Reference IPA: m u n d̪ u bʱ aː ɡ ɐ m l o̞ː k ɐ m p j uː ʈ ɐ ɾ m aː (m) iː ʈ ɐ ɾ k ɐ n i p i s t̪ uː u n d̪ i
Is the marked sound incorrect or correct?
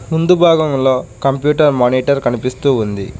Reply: incorrect